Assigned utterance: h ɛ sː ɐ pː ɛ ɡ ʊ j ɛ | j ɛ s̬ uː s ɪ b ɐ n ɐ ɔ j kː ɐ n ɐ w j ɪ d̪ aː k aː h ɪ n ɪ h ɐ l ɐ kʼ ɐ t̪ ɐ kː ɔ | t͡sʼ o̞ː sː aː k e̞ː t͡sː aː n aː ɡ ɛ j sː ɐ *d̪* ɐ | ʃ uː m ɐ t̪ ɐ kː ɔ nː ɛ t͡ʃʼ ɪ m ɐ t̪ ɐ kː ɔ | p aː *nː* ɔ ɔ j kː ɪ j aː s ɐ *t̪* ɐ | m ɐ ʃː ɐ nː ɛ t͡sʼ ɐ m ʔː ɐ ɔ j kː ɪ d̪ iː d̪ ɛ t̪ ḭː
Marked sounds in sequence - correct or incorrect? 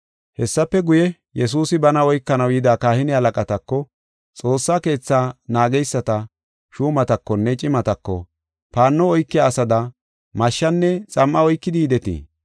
incorrect: t̪, correct, incorrect: d̪

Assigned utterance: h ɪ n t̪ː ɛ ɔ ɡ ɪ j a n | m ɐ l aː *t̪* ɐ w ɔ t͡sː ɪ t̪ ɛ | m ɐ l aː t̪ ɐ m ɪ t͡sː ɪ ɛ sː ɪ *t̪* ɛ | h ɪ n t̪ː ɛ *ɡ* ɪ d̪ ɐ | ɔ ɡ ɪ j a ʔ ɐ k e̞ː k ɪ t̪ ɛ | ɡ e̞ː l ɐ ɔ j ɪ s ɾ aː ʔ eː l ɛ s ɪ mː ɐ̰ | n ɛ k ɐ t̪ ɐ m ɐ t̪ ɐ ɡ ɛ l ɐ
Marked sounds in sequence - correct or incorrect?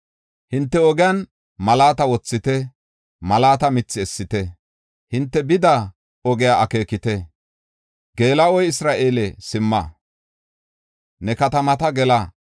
correct, correct, incorrect: b

